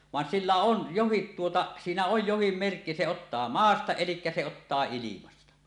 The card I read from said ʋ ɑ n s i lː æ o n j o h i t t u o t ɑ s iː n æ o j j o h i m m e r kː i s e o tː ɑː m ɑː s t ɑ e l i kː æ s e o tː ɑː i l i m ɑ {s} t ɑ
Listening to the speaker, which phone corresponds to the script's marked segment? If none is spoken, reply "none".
s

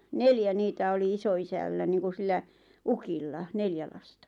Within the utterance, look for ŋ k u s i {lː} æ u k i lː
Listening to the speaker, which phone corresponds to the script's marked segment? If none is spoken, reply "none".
lː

